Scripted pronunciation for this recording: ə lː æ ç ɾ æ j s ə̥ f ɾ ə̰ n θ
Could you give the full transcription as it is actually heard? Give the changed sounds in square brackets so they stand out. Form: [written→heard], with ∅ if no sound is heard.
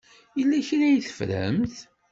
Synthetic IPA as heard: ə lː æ ç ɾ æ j [s→θ] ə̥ f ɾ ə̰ [n→m] θ